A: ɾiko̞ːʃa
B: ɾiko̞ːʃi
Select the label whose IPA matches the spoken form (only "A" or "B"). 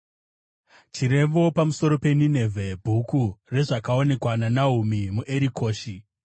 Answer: B